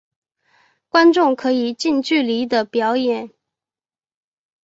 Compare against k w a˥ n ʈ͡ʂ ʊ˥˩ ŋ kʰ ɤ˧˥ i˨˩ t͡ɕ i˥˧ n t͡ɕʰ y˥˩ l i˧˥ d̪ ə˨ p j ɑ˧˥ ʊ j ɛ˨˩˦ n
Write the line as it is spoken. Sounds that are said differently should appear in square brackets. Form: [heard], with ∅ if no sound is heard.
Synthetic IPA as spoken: k w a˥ n ʈ͡ʂ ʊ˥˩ ŋ kʰ ɤ˧˥ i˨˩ t͡ɕ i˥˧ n [t͡ɕ] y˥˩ l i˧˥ d̪ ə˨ p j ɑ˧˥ ʊ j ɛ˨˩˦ n